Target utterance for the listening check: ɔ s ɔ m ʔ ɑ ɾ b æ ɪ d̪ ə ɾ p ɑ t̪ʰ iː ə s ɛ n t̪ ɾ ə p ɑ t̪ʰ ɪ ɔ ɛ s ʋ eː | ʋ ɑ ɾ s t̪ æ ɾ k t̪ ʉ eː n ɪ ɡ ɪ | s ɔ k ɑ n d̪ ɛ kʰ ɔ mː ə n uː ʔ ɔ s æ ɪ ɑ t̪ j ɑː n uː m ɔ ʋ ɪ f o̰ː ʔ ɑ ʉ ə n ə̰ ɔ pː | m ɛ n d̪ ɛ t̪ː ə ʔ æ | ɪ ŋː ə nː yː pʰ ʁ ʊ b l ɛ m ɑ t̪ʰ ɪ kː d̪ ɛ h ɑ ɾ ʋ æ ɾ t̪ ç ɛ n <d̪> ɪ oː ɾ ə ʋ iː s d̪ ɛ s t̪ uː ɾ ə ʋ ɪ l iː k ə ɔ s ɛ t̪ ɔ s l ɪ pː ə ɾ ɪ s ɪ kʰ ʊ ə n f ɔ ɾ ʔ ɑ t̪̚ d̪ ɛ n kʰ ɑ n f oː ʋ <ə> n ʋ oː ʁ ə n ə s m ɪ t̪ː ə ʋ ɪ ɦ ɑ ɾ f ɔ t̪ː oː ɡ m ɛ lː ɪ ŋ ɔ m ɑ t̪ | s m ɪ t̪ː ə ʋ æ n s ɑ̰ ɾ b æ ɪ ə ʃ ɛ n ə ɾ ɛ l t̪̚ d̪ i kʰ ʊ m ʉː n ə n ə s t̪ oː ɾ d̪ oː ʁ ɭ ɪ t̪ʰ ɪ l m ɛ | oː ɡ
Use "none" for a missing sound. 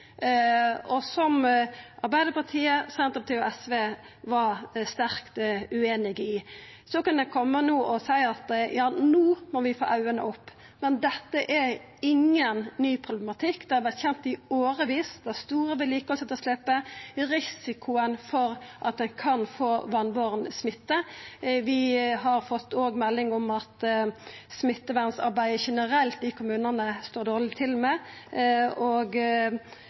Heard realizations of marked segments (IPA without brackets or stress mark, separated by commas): t̪, ɑ